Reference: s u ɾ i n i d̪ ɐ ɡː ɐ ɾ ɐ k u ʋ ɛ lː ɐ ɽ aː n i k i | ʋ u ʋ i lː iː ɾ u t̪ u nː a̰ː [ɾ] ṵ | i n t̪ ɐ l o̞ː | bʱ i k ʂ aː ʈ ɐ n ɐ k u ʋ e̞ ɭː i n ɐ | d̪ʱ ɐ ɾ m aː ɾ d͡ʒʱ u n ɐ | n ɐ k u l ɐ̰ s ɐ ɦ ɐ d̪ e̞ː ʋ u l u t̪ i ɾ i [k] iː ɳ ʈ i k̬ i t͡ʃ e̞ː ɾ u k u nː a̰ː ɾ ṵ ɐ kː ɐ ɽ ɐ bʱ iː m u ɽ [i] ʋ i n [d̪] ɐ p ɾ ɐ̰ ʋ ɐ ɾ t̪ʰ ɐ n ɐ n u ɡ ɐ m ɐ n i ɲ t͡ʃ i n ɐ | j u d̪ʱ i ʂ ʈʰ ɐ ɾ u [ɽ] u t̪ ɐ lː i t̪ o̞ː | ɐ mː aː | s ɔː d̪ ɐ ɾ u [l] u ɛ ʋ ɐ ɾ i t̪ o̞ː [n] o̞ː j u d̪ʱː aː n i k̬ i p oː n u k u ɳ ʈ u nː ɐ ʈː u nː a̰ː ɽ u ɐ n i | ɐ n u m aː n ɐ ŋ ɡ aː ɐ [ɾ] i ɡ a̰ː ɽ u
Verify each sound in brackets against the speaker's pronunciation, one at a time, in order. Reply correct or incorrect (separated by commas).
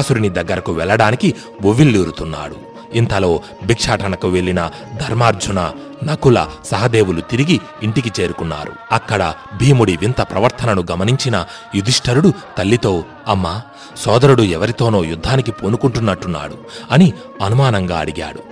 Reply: incorrect, incorrect, correct, incorrect, correct, incorrect, correct, incorrect